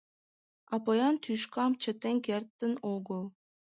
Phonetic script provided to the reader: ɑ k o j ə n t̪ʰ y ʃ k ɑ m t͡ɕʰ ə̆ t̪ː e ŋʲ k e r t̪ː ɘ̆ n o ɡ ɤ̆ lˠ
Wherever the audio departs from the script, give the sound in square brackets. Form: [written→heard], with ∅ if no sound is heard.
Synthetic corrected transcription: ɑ [k→p] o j [ə→ɑ] n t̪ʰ y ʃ k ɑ m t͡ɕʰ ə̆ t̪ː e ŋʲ k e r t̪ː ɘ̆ n o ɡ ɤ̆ lˠ